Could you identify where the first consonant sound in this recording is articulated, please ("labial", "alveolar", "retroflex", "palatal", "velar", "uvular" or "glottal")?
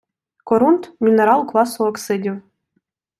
velar